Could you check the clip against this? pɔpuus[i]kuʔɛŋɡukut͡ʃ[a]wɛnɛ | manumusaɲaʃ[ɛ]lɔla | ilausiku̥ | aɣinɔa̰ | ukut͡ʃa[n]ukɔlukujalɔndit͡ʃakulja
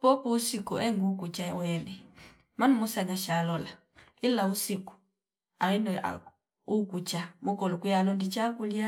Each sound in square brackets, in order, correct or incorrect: correct, correct, incorrect: a, incorrect: m

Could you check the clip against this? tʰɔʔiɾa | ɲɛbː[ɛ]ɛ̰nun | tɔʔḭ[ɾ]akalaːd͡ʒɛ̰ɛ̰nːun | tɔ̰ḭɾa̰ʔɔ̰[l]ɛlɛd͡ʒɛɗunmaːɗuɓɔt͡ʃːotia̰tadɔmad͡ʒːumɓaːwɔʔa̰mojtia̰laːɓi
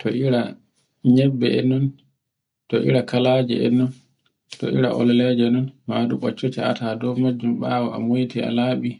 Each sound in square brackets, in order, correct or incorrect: correct, correct, correct

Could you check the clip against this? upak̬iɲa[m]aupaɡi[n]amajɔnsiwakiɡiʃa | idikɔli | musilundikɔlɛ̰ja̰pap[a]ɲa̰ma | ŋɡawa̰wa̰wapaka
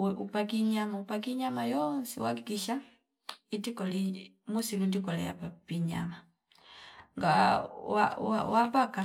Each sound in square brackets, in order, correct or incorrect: correct, incorrect: ɲ, incorrect: i

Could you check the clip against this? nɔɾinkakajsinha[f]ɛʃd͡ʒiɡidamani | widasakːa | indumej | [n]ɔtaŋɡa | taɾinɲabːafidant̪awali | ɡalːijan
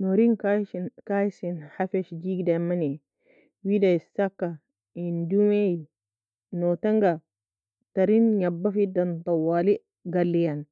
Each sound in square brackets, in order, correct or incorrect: correct, correct

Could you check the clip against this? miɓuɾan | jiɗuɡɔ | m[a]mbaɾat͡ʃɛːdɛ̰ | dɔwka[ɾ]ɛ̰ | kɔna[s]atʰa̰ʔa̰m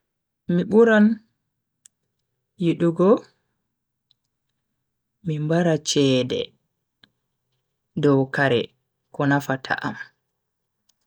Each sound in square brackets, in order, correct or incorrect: incorrect: i, correct, incorrect: f

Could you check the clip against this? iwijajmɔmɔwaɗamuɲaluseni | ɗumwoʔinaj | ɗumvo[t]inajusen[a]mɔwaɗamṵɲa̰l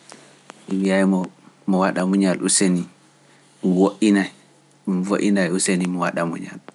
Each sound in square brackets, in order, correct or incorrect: incorrect: ʔ, incorrect: i

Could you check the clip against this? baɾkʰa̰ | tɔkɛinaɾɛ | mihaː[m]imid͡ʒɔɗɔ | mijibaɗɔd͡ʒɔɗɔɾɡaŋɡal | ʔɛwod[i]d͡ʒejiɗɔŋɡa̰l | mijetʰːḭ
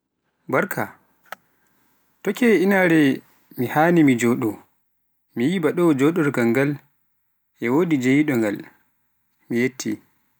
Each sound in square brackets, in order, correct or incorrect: incorrect: n, correct

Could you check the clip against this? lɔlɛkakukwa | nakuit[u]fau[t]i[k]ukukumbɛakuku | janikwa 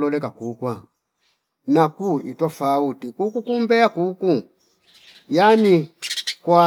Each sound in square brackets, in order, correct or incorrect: incorrect: ɔ, correct, correct

